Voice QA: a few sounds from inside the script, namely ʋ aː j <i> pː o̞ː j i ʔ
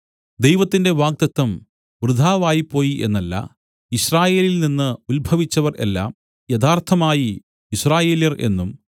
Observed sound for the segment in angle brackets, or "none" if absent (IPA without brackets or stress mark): i